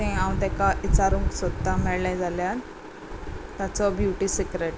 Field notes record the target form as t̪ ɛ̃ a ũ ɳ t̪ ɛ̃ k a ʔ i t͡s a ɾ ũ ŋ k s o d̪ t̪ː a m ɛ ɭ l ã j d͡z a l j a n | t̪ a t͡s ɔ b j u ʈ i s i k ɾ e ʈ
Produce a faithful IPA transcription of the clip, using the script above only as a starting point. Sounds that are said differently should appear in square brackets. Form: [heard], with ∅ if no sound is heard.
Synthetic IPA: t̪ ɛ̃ a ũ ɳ t̪ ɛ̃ k a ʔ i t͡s a ɾ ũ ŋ k s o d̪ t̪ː a m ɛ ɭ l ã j d͡z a l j a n | t̪ a t͡s ɔ b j u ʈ i s i k ɾ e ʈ